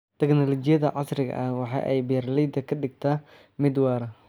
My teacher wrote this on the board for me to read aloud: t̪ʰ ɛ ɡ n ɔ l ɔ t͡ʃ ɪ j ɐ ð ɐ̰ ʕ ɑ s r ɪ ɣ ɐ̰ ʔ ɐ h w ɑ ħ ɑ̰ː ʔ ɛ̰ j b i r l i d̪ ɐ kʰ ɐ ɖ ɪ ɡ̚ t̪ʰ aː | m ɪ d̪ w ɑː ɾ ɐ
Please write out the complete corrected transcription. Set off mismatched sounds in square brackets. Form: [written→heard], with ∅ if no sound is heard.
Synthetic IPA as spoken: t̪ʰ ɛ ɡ n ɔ l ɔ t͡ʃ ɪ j ɐ ð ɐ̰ ʕ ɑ s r ɪ ɣ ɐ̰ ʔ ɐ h w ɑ ħ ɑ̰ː ʔ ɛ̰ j b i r l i d̪ ɐ kʰ ɐ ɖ ɪ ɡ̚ t̪ʰ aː | m ɪ d̪ w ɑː ɾ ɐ